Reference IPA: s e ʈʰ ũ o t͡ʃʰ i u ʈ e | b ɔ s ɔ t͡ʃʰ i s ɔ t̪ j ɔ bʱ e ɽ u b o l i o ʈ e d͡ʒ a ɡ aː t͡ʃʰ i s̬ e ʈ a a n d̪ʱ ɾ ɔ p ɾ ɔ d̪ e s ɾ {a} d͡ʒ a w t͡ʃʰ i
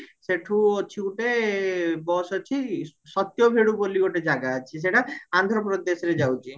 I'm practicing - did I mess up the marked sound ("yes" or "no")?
yes